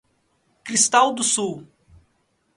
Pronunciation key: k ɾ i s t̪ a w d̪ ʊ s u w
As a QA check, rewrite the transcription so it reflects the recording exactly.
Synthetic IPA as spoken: k ɾ i s t̪ a w d̪ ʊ s u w